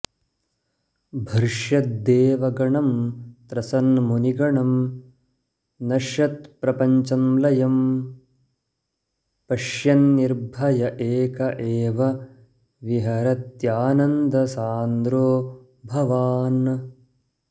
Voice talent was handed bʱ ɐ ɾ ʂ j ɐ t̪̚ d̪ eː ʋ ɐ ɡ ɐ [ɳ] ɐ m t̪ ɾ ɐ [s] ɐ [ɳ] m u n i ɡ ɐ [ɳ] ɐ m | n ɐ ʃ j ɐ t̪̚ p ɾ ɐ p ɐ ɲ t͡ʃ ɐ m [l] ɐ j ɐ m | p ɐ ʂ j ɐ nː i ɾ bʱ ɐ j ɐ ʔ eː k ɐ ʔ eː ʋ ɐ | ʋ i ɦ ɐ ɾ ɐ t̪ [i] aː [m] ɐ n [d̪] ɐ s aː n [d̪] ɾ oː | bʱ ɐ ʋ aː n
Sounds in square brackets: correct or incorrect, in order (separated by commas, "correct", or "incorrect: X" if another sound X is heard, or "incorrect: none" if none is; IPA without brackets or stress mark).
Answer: correct, correct, incorrect: n, correct, correct, incorrect: j, incorrect: n, correct, correct